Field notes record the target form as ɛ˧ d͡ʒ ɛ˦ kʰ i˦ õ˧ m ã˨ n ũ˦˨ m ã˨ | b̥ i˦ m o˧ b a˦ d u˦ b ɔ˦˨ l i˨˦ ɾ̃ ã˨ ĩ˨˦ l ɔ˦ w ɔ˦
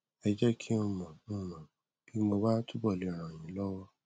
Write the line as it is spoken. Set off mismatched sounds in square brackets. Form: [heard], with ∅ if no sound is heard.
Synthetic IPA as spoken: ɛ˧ d͡ʒ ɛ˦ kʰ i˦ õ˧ m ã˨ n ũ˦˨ m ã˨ | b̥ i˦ m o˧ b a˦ [t] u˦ b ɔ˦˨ l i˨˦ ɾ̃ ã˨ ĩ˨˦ l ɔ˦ w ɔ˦

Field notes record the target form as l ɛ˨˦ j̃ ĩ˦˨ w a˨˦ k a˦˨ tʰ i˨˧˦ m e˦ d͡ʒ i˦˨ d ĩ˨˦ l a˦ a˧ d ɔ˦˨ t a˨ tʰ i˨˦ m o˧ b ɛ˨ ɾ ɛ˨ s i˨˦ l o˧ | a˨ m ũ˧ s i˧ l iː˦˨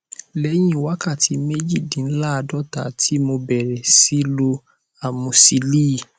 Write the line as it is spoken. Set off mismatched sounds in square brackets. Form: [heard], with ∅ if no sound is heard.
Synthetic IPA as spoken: l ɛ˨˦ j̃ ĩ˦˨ w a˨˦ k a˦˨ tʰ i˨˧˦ m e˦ d͡ʒ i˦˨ d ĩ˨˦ l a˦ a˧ d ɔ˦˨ t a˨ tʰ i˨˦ m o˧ b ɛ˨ ɾ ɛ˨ s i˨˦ l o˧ | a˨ m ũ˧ s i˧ l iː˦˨

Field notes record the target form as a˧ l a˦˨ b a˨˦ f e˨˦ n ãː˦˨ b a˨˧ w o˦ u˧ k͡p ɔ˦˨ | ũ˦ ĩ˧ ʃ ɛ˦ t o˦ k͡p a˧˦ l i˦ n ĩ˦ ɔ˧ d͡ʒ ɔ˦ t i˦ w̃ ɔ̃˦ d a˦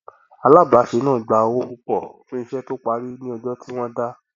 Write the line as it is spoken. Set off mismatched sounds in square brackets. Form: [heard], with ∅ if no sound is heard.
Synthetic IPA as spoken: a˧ l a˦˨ b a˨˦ [ʃ] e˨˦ n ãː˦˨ [ɡ͡b] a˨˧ w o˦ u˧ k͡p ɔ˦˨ | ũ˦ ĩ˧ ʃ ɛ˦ t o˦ k͡p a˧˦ [ɾ] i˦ n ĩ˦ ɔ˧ d͡ʒ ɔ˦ t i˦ w̃ ɔ̃˦ d a˦

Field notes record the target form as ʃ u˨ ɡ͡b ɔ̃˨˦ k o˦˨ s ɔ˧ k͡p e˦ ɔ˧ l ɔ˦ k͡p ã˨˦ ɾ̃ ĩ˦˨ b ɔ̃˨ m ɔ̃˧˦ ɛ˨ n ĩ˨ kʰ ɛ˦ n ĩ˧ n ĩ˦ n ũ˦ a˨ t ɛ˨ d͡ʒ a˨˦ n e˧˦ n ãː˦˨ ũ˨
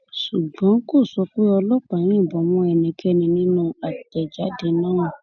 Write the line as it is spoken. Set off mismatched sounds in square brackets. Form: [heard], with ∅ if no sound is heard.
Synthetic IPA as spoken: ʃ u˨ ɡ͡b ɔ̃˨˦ k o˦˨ s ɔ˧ k͡p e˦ ɔ˧ l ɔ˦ k͡p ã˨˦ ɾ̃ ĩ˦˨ b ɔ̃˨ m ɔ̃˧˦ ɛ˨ n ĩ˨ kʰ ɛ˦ n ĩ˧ n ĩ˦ n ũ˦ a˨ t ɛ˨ d͡ʒ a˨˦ [d] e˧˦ n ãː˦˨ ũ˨

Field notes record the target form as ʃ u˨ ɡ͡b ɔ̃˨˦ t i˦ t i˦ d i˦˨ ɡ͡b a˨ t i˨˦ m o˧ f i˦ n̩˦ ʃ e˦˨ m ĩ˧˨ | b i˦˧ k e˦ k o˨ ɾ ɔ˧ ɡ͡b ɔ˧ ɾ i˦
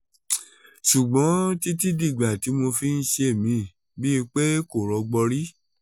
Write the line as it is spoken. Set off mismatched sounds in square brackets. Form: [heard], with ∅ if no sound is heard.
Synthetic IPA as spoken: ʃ u˨ ɡ͡b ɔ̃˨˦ t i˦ t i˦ d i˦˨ ɡ͡b a˨ t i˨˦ m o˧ f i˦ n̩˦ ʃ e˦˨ m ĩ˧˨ | b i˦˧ [k͡p] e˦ k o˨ ɾ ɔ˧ ɡ͡b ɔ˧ ɾ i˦

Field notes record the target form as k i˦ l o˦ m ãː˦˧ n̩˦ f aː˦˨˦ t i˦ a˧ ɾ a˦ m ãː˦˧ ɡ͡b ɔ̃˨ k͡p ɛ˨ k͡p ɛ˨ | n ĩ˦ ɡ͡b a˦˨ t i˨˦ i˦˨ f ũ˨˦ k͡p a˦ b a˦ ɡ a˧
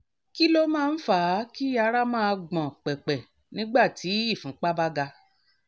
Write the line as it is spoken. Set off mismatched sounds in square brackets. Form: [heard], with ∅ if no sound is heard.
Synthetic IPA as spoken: k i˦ l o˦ m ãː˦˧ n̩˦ f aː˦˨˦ [k] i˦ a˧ ɾ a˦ m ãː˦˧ ɡ͡b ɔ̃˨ k͡p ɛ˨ k͡p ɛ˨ | n ĩ˦ ɡ͡b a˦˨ t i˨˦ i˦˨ f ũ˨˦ k͡p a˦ b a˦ ɡ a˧

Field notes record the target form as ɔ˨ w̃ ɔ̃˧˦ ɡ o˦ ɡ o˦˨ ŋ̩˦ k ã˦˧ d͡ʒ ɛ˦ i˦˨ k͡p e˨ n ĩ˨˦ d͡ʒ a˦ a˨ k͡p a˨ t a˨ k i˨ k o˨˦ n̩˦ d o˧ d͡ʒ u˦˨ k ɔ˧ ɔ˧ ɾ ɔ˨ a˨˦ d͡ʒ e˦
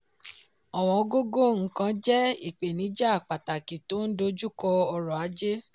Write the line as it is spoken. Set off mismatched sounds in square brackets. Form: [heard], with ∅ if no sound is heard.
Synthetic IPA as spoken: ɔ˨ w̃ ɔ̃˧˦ ɡ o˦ ɡ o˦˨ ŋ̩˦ k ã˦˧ d͡ʒ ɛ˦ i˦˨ k͡p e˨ n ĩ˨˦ d͡ʒ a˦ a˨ k͡p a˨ t a˨ k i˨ [t] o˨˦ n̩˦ d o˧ d͡ʒ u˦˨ k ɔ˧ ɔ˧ ɾ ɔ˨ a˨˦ d͡ʒ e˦

